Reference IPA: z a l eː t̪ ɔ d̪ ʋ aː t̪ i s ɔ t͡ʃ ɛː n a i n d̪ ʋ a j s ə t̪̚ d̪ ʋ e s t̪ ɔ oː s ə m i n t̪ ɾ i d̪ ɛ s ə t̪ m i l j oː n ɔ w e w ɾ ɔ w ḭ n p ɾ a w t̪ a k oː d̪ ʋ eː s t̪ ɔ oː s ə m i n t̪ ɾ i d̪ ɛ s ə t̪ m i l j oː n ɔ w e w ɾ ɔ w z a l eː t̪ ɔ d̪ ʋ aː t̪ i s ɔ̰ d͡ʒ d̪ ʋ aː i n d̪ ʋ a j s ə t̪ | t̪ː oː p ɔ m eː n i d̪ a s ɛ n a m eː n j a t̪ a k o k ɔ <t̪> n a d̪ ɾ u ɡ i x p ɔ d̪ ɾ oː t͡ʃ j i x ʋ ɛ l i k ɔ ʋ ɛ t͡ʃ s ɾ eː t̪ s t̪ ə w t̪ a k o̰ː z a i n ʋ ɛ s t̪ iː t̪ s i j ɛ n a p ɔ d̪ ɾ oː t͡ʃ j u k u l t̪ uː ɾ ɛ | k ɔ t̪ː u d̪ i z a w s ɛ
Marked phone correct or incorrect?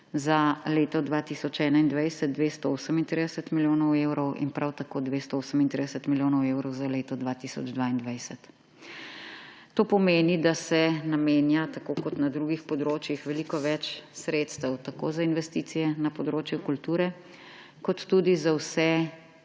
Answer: correct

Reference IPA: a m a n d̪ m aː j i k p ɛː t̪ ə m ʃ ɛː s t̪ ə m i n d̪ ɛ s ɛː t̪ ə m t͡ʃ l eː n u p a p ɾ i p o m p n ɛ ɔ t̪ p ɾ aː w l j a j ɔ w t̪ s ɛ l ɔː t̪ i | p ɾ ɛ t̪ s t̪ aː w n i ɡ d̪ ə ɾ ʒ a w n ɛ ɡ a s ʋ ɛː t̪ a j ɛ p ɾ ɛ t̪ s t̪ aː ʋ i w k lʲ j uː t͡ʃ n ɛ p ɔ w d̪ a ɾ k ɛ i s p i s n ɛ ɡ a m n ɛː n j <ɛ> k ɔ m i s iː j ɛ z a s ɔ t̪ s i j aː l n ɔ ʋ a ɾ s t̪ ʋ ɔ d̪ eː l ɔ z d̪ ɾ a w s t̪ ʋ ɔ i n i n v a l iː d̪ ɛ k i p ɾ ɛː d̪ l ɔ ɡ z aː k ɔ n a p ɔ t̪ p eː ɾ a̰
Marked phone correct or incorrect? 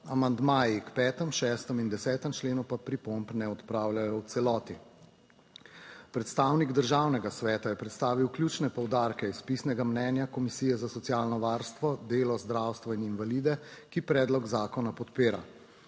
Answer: incorrect: a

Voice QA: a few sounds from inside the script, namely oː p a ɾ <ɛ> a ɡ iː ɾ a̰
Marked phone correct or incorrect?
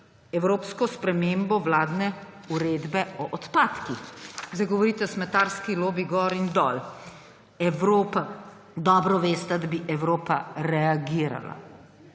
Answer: correct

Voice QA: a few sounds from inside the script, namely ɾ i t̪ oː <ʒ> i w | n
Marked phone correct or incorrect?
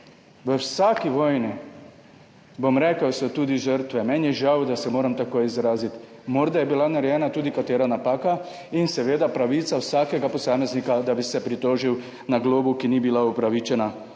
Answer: correct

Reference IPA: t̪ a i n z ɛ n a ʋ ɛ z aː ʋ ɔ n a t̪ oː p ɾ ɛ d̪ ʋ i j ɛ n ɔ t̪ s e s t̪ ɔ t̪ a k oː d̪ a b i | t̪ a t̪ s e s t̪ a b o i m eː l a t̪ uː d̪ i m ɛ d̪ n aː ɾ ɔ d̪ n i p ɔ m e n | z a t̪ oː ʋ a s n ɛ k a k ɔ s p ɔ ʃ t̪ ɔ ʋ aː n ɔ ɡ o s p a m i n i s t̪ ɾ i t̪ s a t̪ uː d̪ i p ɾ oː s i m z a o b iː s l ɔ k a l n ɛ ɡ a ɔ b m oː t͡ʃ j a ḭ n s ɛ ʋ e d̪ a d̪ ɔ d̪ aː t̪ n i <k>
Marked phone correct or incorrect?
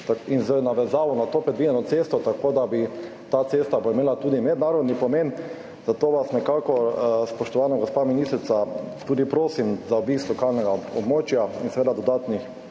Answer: incorrect: x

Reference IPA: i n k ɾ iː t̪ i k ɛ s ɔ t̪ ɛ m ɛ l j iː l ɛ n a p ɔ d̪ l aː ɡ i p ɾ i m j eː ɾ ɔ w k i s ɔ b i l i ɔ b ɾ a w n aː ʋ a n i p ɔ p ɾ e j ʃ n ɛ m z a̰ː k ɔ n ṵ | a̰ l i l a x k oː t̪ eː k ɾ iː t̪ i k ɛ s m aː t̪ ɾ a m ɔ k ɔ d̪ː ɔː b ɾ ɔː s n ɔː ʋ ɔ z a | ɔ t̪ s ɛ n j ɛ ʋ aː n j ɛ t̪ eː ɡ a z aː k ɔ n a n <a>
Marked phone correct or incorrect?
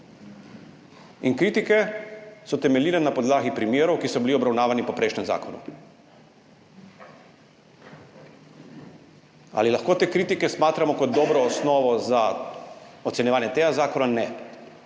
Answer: incorrect: ɛ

